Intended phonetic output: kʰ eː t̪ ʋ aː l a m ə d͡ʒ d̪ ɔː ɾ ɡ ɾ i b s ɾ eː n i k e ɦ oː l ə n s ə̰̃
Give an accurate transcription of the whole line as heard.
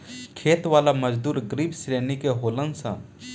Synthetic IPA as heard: kʰ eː t̪ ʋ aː l a m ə d͡ʒ d̪ uː ɾ ɡ ɾ i b s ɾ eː n i k e ɦ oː l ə n s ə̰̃